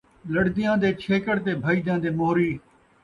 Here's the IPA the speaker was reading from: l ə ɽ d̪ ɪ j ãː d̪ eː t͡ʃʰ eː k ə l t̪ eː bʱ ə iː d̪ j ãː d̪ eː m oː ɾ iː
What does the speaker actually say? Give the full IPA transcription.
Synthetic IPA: l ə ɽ d̪ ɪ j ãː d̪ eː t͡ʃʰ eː k ə ɽ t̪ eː bʱ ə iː d̪ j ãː d̪ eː m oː ɾ iː